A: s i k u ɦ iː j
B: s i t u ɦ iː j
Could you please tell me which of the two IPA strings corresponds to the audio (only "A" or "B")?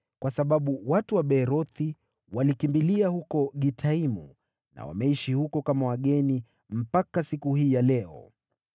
A